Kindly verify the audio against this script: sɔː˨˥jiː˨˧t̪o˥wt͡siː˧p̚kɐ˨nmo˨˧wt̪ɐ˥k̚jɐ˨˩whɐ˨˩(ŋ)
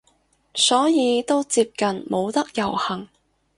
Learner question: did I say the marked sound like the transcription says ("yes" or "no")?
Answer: yes